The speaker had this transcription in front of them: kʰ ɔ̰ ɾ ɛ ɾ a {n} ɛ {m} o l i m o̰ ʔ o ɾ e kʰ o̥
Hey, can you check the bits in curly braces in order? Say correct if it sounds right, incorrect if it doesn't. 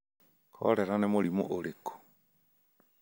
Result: correct, correct

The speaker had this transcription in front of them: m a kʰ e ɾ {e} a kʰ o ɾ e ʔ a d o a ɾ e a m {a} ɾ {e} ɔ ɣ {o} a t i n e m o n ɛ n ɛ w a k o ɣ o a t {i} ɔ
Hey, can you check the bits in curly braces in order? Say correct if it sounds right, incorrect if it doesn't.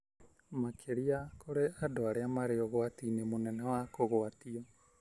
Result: incorrect: i, correct, correct, correct, correct

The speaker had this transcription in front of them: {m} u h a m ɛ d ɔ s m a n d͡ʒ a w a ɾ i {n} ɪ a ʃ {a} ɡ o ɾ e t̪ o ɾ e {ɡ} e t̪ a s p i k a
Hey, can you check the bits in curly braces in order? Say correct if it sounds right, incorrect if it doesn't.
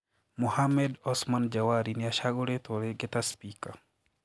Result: correct, correct, correct, correct

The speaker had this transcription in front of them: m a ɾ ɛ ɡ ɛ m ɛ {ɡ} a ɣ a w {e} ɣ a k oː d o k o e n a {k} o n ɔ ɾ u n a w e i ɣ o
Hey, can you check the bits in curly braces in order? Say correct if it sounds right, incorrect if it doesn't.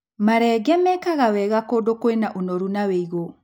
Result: incorrect: k, incorrect: ɛ, incorrect: ʔ

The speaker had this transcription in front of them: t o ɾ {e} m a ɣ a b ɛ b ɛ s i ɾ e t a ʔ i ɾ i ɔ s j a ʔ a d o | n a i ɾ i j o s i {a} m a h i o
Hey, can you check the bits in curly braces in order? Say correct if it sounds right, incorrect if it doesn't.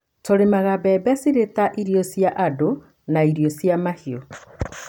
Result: correct, correct

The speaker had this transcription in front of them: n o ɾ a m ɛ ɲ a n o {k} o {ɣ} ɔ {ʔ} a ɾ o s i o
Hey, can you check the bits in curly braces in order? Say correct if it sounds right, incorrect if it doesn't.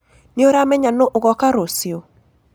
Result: incorrect: ʔ, correct, incorrect: k

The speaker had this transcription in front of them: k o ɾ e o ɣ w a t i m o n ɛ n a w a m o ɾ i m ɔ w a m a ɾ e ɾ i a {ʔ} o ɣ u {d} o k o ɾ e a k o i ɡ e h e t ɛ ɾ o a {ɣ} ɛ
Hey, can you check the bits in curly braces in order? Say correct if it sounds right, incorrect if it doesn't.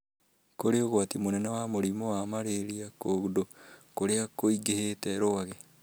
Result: incorrect: k, correct, correct

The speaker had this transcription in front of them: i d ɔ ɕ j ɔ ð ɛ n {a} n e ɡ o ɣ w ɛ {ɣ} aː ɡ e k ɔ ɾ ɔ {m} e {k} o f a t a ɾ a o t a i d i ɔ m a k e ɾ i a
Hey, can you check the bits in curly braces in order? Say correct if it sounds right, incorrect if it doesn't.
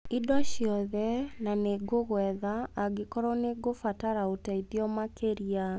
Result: correct, incorrect: ð, incorrect: n, incorrect: ɡ

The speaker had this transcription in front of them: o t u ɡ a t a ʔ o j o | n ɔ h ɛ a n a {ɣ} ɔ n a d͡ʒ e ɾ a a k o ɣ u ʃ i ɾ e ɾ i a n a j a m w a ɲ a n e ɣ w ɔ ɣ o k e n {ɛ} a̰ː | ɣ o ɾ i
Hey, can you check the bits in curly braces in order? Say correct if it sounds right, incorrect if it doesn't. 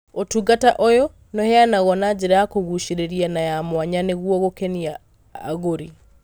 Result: correct, incorrect: i

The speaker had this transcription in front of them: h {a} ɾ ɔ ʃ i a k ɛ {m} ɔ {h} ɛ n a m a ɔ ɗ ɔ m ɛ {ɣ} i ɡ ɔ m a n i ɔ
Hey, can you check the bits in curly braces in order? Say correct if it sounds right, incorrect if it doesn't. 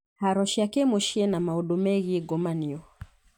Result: correct, correct, incorrect: ʃ, correct

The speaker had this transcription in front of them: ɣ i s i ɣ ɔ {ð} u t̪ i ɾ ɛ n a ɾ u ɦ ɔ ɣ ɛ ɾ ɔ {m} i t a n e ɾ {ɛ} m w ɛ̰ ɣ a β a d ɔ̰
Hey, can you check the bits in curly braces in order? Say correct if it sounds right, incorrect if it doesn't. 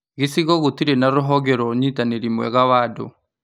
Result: incorrect: ɣ, incorrect: ɲ, incorrect: i

